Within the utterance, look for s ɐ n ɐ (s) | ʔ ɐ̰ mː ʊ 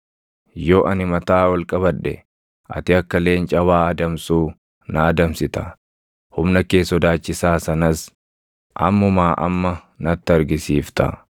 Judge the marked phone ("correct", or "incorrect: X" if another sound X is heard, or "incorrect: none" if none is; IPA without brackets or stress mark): correct